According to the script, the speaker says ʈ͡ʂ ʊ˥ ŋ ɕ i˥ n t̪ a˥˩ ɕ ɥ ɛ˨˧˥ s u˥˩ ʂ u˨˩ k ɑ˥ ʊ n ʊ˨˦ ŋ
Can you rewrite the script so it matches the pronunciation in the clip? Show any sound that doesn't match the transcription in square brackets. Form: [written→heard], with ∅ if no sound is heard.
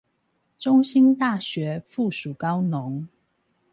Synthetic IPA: ʈ͡ʂ ʊ˥ ŋ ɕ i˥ n t̪ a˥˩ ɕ ɥ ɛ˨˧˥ [s→f] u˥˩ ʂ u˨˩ k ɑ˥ ʊ n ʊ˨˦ ŋ